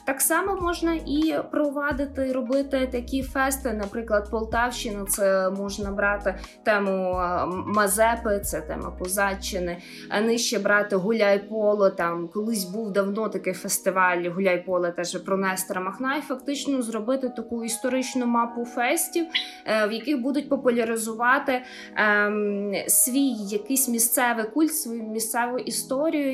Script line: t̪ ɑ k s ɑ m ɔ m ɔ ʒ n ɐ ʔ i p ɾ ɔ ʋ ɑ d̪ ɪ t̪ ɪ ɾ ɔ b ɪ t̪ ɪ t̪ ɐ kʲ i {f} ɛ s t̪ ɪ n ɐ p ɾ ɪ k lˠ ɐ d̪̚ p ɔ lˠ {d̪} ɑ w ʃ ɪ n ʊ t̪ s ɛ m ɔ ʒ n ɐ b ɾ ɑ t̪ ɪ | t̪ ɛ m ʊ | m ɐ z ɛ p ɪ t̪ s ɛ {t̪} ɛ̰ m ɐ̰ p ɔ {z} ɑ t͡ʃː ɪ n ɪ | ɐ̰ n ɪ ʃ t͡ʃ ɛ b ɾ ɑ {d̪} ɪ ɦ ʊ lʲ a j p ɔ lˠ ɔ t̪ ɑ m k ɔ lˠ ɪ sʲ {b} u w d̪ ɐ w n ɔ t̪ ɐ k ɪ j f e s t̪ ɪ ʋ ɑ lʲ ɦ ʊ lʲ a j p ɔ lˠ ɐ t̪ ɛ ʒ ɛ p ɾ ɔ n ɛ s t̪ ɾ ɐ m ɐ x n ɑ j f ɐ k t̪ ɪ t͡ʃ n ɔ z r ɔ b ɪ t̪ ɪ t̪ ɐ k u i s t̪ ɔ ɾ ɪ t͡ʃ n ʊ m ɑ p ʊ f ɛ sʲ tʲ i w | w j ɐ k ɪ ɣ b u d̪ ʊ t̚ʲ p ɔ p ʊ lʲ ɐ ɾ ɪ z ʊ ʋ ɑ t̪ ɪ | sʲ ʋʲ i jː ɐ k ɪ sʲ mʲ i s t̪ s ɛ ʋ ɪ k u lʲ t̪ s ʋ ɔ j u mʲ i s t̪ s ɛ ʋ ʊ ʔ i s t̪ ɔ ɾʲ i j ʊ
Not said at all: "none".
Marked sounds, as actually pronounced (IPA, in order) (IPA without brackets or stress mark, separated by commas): f, t̪, t̪, z, t̪, b